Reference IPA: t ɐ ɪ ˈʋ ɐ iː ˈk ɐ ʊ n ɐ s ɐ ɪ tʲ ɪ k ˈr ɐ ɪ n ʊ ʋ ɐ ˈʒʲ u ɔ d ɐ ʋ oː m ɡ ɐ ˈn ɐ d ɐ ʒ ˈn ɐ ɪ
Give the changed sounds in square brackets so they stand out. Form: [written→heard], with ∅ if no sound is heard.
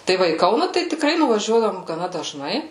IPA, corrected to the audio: t ɐ ɪ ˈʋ ɐ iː ˈk ɐ ʊ n ɐ [s→t] ɐ ɪ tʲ ɪ k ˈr ɐ ɪ n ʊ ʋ ɐ ˈʒʲ u ɔ d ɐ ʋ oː m ɡ ɐ ˈn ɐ d ɐ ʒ ˈn ɐ ɪ